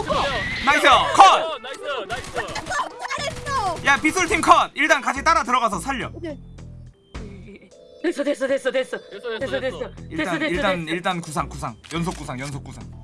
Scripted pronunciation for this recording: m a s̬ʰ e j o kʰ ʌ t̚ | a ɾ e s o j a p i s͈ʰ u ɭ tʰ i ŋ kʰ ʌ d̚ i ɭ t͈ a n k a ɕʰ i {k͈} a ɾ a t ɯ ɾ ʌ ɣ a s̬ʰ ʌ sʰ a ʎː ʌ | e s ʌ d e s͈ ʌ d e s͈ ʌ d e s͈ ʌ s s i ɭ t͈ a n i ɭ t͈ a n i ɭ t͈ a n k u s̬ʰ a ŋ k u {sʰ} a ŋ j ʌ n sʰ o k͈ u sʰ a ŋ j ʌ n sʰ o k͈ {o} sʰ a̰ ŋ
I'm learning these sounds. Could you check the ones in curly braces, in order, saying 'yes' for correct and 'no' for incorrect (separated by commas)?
no, yes, no